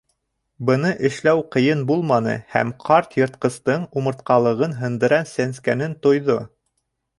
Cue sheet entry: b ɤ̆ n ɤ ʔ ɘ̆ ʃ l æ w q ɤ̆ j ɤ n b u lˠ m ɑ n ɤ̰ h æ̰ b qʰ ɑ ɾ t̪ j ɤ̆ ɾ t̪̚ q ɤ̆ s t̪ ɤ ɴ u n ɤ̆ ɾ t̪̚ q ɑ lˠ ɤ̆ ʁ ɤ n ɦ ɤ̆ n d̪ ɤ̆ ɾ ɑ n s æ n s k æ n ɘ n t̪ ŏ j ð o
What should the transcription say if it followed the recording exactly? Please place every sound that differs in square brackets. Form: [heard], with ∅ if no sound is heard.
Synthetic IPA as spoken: b ɤ̆ n ɤ ʔ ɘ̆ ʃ l æ w q ɤ̆ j ɤ n b u lˠ m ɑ n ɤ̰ h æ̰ [m] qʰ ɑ ɾ t̪ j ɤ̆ ɾ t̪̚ q ɤ̆ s t̪ ɤ ɴ u [m] ɤ̆ ɾ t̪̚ q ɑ lˠ ɤ̆ ʁ ɤ n ɦ ɤ̆ n d̪ ɤ̆ ɾ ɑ n s æ n s k æ n ɘ n t̪ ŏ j ð o